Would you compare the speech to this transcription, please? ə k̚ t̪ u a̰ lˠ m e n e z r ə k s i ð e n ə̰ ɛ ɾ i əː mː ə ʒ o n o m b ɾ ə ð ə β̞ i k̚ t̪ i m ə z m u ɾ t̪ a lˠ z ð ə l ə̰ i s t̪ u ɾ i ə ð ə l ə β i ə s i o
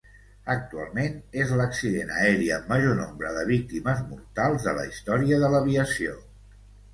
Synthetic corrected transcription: ə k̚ t̪ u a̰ lˠ m e n e z l ə k s i ð e n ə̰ ɛ ɾ i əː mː ə ʒ o n o m b ɾ ə ð ə β̞ i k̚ t̪ i m ə z m u ɾ t̪ a lˠ z ð ə l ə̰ i s t̪ ɔ ɾ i ə ð ə l ə β i ə s i o